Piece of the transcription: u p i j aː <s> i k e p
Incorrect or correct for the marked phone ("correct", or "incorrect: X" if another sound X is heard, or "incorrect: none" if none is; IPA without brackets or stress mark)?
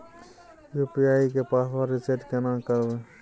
incorrect: none